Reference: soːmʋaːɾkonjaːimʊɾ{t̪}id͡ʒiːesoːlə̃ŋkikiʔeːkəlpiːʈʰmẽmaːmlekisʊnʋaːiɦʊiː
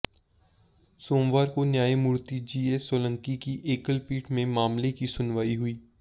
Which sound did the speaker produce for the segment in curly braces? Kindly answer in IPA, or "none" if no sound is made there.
t̪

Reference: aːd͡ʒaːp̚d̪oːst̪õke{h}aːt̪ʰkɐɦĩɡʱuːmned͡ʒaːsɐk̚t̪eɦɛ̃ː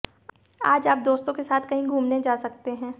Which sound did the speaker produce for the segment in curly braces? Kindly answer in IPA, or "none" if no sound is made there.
s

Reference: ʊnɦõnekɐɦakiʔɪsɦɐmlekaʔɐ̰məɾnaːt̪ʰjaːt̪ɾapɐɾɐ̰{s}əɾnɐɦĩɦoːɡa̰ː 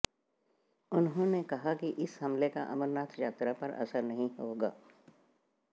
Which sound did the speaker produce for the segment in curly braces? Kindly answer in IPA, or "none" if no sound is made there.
s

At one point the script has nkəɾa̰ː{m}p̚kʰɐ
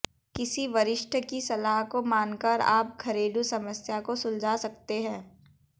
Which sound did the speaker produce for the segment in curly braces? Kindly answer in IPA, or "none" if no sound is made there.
none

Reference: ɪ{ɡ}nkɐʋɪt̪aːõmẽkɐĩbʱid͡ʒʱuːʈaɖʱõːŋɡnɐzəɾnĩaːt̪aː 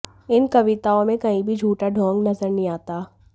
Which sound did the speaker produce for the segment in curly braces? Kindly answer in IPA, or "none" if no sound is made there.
none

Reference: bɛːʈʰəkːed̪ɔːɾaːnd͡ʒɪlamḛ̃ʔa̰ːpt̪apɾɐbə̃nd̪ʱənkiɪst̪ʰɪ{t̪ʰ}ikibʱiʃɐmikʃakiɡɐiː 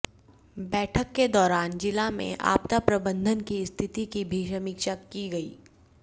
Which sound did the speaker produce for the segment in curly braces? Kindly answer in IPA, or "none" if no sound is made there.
t̪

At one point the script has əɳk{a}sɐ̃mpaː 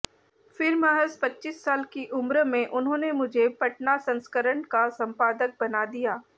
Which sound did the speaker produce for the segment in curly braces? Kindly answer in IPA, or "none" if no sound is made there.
a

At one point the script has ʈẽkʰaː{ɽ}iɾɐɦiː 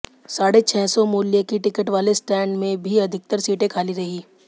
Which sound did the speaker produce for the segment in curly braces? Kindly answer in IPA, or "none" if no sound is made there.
l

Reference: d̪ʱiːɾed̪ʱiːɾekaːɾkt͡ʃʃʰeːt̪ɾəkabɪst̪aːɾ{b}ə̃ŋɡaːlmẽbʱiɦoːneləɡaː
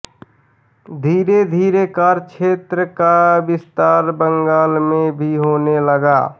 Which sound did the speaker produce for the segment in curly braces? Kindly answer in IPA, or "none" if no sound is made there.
b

